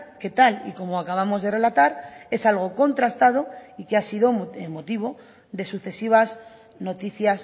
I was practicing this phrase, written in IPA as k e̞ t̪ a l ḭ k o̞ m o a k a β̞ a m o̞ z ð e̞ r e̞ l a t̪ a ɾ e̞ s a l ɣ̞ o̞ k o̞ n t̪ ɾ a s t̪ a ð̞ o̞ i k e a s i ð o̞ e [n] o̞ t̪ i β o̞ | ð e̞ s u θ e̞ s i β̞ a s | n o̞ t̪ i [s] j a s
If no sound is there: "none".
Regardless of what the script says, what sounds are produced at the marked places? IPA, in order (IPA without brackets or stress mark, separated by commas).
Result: m, θ